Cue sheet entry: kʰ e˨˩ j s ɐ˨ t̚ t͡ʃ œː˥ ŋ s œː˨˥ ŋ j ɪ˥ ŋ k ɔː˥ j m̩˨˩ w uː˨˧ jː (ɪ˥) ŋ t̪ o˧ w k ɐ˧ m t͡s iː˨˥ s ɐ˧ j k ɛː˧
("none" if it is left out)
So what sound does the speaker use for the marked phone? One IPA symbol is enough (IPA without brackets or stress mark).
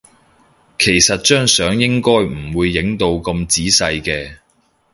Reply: ɪ˨˥